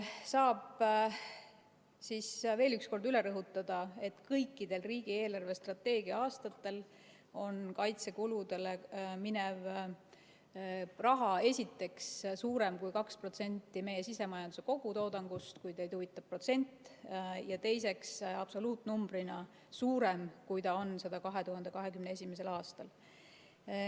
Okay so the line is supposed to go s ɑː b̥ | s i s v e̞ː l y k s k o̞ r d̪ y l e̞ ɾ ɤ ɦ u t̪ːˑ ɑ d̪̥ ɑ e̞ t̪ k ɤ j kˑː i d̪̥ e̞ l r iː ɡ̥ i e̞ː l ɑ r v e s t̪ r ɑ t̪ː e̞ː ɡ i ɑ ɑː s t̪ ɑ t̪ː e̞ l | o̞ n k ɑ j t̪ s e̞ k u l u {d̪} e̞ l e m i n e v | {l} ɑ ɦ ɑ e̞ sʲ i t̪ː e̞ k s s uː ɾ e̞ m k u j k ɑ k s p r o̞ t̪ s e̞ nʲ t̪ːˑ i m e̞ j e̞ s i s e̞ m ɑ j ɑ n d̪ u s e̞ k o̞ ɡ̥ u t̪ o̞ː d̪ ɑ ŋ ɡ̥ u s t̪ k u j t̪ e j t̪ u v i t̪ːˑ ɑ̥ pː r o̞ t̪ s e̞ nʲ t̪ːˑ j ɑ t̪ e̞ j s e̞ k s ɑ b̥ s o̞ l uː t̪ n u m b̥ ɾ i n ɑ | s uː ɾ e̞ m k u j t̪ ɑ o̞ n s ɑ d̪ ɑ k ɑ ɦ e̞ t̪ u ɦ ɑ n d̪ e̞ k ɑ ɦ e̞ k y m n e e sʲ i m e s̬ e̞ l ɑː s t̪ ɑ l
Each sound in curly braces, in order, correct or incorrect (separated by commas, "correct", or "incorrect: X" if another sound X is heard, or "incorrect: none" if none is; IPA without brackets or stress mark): correct, incorrect: r